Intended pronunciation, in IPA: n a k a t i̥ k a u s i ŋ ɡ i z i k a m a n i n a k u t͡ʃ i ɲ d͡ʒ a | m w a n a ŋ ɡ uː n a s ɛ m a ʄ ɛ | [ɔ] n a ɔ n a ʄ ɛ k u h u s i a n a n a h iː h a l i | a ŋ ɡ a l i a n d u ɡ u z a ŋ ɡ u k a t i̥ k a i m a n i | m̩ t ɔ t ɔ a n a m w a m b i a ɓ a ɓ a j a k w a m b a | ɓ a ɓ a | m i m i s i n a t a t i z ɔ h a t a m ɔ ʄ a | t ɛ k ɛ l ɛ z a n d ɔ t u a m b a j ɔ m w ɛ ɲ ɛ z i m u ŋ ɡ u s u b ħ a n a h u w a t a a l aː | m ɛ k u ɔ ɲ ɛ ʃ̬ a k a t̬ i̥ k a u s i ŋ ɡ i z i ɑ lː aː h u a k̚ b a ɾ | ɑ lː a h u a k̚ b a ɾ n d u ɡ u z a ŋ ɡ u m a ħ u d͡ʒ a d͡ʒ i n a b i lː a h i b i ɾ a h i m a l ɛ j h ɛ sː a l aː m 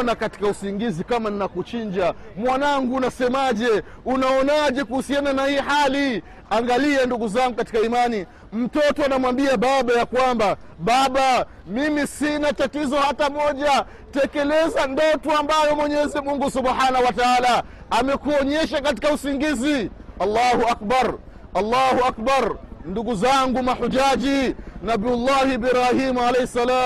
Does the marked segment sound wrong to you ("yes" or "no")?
yes